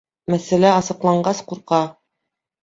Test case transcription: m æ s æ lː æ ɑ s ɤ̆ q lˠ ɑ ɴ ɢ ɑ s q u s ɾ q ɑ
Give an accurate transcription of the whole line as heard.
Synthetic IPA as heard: m æ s æ l æ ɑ s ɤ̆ q lˠ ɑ ɴ ɢ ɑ s q u ɾ q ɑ